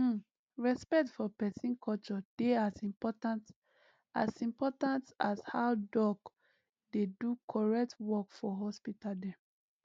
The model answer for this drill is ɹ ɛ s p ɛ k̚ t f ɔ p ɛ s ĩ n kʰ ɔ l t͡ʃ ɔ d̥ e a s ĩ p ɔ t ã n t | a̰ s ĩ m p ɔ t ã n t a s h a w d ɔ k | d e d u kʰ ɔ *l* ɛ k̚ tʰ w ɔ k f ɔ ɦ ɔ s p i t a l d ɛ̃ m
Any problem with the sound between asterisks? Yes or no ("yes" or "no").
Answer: yes